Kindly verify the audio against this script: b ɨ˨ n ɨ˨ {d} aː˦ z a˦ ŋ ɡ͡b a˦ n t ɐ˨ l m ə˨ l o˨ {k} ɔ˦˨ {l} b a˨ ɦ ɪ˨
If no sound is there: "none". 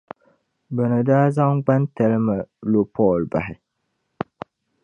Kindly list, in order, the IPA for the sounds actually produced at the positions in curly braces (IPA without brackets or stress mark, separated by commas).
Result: d, p, l